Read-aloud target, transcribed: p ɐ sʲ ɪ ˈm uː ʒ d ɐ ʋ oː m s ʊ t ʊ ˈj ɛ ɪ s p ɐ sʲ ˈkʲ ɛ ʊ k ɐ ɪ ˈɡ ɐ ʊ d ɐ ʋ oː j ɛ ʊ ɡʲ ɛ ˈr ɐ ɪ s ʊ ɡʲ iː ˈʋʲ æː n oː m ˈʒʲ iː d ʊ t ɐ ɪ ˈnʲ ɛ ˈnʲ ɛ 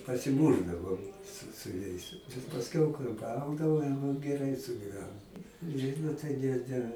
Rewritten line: p ɐ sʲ ɪ ˈm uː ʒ d ɐ ʋ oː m s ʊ s ʊ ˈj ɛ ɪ s p ɐ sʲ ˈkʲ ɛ ʊ k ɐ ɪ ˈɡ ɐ ʊ d ɐ ʋ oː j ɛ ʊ ɡʲ ɛ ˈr ɐ ɪ s ʊ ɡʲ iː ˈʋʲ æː n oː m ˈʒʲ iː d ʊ t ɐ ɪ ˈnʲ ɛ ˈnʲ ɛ